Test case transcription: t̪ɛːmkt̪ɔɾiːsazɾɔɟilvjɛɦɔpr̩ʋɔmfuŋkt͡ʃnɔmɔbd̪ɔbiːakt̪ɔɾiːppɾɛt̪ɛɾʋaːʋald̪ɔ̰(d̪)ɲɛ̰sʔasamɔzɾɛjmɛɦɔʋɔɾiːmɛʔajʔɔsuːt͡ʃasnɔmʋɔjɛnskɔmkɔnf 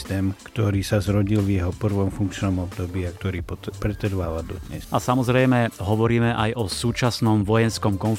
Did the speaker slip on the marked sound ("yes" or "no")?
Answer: no